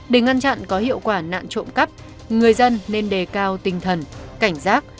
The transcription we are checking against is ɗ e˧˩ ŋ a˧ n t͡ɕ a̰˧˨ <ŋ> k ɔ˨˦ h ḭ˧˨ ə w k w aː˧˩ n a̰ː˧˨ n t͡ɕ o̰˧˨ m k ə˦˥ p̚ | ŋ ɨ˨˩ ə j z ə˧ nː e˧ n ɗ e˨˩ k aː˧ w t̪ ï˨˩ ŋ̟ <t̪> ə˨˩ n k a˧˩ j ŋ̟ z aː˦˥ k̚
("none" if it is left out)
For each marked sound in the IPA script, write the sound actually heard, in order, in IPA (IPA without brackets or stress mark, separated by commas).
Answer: n, t̪ʰ